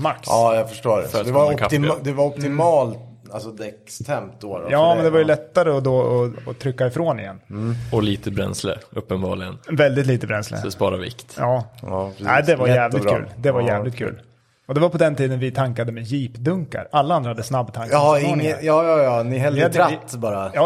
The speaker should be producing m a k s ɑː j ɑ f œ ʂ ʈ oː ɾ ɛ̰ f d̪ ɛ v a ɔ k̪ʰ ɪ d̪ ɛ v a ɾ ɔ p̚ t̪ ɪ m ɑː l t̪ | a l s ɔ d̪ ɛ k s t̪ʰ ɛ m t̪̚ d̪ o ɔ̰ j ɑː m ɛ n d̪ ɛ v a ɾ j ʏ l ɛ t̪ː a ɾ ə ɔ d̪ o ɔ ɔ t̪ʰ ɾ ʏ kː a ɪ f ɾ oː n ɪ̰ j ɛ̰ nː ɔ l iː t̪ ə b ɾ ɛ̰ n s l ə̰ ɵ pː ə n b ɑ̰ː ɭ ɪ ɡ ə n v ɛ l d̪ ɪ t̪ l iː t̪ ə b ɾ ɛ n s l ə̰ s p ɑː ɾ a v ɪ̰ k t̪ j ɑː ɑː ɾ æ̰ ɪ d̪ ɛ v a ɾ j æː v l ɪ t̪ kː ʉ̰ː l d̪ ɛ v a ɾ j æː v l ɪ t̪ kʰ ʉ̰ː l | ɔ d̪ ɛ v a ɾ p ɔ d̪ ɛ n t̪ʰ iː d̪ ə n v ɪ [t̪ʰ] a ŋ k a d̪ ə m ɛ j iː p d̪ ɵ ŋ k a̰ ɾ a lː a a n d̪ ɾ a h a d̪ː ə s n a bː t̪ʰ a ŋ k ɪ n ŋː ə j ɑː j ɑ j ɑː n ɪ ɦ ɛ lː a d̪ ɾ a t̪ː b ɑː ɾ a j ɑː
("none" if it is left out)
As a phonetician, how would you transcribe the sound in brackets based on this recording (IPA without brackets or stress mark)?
t̪ʰ